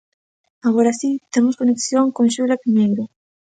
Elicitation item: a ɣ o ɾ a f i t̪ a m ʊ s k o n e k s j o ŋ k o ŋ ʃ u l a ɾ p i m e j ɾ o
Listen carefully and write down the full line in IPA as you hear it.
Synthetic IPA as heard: a ɣ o ɾ a s i t̪ e m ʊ s k o n e k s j o ŋ k o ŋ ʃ u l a p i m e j ɾ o